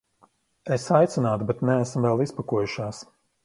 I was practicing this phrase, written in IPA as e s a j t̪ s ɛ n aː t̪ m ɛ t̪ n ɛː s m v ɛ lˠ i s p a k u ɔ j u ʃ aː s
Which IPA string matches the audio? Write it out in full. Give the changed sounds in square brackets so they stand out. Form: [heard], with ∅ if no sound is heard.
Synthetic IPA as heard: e s a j t̪ s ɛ n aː t̪ [b] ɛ t̪ n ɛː s m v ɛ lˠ i s p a k u ɔ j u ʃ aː s